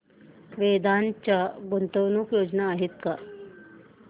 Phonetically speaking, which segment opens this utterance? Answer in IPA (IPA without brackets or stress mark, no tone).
ʋ